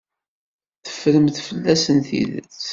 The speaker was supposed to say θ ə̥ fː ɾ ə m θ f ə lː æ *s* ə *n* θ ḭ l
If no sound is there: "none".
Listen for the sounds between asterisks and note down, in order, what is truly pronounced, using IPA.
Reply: s, n

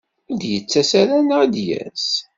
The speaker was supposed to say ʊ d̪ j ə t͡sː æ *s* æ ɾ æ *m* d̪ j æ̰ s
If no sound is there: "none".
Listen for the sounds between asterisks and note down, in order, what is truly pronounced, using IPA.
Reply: s, n

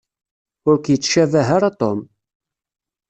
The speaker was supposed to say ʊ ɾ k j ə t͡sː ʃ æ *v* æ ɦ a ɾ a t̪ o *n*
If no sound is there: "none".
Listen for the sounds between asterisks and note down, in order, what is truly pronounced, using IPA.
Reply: v, m

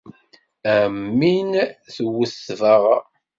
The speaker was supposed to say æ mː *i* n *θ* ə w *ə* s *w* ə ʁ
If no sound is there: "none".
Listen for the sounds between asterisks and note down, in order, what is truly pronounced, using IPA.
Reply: i, θ, ə, v

